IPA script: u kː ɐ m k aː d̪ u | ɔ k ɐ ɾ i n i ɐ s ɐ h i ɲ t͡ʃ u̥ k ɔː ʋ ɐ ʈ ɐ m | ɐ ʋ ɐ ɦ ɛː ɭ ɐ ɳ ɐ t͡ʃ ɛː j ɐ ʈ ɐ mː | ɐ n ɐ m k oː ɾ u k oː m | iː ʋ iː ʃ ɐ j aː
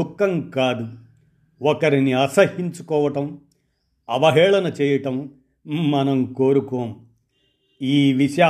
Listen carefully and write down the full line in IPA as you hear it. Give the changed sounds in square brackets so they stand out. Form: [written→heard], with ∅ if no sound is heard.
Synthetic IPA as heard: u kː ɐ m k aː d̪ u | ɔ k ɐ ɾ i n i ɐ s ɐ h i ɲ t͡ʃ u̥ k ɔː ʋ ɐ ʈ ɐ m | ɐ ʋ ɐ ɦ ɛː ɭ ɐ [ɳ→n] ɐ t͡ʃ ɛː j ɐ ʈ ɐ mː | ɐ n ɐ m k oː ɾ u k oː m | iː ʋ [iː→i] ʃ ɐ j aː